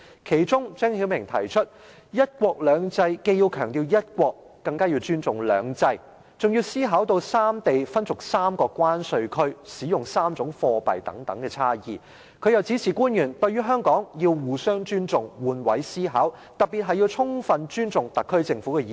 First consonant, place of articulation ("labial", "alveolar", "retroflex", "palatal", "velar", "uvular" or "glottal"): velar